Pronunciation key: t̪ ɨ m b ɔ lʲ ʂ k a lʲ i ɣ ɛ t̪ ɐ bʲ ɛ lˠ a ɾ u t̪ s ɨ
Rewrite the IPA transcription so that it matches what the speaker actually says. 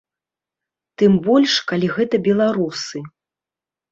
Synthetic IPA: t̪ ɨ m b ɔ lʲ ʂ k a lʲ i ɣ ɛ t̪ ɐ bʲ ɛ lˠ a ɾ u s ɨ